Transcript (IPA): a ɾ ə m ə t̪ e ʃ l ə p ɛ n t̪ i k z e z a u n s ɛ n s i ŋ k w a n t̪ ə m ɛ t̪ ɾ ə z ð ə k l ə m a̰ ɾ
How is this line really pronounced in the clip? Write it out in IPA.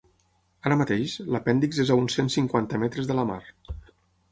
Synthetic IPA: a ɾ ə m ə t̪ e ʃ l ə p ɛ n d̪ i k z e z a u n s e n s i ŋ k w a n t̪ ə m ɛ t̪ ɾ ə z ð ə l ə m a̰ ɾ